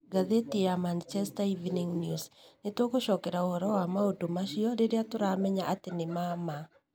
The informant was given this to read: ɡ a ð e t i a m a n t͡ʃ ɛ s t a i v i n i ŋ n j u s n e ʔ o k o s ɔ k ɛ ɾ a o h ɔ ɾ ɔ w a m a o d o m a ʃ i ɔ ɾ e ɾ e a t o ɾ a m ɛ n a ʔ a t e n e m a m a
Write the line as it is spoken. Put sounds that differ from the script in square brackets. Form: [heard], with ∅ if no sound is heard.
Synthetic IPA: ɡ a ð e t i a m a n t͡ʃ ɛ s t a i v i n i ŋ n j u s n e [t] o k o [ʃ] ɔ k ɛ ɾ a o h ɔ ɾ ɔ w a m a o d o m a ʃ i ɔ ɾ e ɾ e a t o ɾ a m ɛ [ɲ] a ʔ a t e n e m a m a